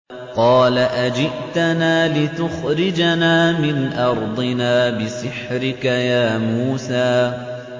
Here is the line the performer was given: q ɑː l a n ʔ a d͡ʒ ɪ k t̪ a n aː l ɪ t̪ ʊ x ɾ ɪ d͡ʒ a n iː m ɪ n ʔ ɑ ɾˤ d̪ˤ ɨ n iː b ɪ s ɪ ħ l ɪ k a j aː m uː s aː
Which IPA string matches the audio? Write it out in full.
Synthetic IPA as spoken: q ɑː l a ʔ a d͡ʒ ɪ ʔ t̪ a n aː l ɪ t̪ ʊ x ɾ ɪ d͡ʒ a n aː m ɪ n ʔ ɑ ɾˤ d̪ˤ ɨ n aː b ɪ s ɪ ħ ɾ ɪ k a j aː m uː s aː